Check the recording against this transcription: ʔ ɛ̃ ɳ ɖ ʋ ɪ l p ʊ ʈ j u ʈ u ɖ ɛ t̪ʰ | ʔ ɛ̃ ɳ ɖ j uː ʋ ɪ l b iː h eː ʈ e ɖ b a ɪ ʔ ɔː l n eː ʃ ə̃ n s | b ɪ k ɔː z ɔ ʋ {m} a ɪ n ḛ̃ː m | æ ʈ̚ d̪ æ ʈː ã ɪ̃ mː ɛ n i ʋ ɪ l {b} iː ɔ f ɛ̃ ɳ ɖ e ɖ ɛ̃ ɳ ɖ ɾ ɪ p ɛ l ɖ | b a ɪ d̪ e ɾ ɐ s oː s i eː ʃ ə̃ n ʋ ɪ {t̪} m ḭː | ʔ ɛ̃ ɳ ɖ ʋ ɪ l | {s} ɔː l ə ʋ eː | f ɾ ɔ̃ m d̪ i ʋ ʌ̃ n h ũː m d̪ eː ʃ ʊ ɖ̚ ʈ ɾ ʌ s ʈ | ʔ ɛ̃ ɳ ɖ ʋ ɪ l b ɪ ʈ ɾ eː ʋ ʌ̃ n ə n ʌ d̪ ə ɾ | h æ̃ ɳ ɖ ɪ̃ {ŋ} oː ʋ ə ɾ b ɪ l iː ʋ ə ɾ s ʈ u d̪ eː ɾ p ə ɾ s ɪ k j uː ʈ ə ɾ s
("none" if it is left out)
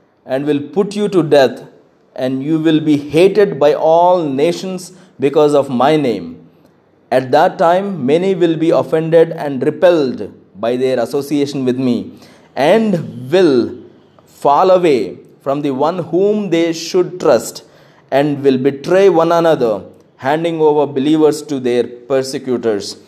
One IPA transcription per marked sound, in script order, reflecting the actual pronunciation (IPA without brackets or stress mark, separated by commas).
m, b, d̪, f, ŋ